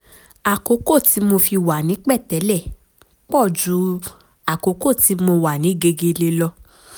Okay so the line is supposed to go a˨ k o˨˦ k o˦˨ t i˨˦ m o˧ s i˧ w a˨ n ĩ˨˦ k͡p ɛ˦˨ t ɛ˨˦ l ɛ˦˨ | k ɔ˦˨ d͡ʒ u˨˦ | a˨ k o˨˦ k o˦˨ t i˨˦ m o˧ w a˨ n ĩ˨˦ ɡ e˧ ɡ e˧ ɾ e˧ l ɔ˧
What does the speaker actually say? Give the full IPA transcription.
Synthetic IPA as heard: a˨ k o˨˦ k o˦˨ t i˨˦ m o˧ f i˧ w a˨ n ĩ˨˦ k͡p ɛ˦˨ t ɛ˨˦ l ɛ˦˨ | k͡p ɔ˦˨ d͡ʒ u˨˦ | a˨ k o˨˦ k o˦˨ t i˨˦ m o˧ w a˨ n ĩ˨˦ ɡ e˧ ɡ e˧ l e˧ l ɔ˧